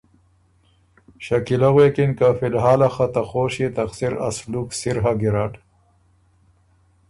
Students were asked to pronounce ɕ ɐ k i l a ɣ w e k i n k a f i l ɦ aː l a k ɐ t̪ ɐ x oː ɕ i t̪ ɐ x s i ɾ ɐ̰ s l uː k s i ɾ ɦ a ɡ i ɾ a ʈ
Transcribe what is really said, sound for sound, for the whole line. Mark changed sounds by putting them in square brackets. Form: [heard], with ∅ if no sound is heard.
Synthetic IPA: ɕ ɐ k i l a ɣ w e k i n k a f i l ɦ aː l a [x] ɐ t̪ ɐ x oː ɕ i t̪ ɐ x s i ɾ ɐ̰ s l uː k s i ɾ ɦ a ɡ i ɾ a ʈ